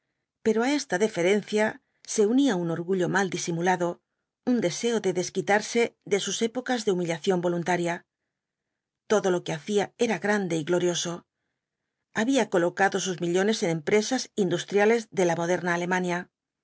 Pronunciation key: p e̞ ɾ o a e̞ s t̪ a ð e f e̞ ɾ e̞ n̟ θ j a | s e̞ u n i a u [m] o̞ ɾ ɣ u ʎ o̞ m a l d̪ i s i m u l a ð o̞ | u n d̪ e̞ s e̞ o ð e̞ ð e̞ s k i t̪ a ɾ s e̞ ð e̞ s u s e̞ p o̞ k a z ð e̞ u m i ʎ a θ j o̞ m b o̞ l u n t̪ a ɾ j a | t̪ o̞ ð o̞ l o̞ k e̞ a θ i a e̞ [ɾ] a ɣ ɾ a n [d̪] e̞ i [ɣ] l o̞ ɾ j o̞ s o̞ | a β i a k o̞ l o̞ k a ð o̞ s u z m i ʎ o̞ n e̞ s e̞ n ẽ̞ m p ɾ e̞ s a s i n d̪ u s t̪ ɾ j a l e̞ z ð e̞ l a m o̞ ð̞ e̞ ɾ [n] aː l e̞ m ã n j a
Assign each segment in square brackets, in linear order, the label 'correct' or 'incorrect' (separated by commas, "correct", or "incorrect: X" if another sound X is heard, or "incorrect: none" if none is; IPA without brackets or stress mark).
incorrect: n, correct, correct, correct, correct